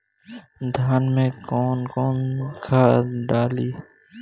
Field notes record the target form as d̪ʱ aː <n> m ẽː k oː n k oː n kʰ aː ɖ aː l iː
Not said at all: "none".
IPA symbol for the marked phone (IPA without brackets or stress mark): n